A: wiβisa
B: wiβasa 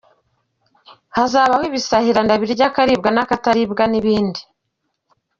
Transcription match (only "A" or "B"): A